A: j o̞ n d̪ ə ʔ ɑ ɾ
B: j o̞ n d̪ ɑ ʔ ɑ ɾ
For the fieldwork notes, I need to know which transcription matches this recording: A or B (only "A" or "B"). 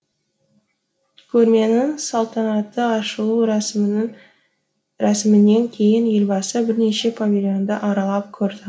A